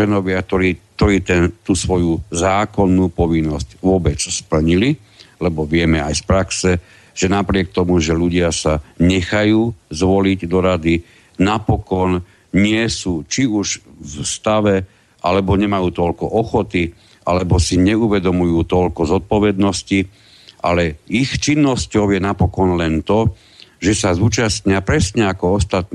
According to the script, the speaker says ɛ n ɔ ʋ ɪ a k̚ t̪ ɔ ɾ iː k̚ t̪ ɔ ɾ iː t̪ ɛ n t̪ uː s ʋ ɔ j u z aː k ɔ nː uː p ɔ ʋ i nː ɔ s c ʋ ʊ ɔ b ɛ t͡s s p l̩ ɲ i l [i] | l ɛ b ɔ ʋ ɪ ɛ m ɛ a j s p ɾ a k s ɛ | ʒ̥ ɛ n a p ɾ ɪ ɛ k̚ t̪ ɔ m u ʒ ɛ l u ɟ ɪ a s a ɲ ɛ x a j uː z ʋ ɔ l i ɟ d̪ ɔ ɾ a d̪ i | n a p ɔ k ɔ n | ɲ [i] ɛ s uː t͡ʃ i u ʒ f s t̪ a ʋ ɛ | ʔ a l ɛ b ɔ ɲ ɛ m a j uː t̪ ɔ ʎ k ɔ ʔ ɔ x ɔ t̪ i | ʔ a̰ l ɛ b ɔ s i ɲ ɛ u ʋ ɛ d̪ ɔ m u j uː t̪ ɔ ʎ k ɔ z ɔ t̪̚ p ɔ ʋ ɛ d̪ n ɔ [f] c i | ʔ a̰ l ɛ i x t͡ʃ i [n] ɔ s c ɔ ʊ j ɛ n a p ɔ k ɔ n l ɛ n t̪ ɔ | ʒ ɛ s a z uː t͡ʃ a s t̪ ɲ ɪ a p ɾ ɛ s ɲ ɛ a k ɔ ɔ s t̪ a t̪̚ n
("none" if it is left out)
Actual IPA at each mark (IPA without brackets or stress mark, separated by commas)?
i, ɪ, s, nː